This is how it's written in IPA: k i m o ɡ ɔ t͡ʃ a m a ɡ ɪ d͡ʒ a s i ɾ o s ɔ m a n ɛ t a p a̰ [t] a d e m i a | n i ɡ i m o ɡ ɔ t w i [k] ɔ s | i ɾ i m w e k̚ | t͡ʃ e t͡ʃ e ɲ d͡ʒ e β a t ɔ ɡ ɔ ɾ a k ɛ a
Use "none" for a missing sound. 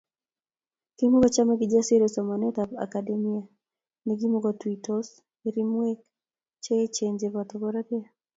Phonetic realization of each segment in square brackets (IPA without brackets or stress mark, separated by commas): k, t